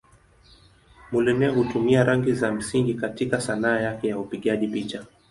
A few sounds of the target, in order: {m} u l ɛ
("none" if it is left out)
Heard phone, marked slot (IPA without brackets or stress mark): m